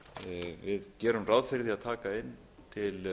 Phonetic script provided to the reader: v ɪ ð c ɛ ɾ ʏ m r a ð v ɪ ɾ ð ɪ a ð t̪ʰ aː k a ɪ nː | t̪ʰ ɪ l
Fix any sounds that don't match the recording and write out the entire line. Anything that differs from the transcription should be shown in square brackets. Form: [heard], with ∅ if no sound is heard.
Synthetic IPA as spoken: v ɪ ð c [ɛː] ɾ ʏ m r a ð [f] ɪ ɾ ð [i] a ð t̪ʰ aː k a ɪ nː | t̪ʰ ɪ l